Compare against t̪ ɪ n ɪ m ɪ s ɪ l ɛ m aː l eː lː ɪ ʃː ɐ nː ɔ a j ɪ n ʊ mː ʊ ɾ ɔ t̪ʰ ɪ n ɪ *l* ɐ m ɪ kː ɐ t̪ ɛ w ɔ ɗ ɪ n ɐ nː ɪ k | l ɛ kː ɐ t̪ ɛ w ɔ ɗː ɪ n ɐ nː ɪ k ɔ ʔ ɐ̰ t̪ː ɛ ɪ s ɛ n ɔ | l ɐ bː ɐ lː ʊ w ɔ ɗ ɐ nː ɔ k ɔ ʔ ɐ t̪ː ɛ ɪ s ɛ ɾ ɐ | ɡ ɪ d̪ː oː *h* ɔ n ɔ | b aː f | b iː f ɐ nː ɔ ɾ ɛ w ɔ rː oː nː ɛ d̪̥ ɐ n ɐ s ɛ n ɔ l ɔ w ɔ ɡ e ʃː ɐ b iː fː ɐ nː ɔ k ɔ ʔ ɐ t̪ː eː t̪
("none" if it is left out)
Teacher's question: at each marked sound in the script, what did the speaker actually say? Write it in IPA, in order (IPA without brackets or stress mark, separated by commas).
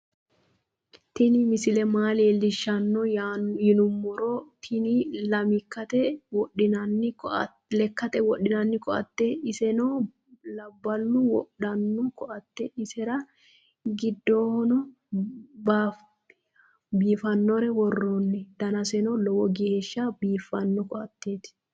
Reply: l, h